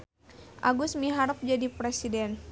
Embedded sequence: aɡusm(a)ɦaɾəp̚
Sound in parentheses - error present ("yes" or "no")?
yes